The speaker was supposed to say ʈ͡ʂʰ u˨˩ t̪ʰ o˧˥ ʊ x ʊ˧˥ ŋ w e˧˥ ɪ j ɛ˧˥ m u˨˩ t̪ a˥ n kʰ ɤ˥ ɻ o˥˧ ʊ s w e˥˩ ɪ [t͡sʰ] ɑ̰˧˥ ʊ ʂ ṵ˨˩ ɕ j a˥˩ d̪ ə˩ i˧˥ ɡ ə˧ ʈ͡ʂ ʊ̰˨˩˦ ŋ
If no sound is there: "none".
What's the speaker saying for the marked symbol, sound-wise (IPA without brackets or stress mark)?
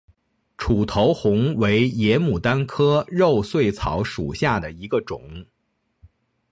t͡sʰ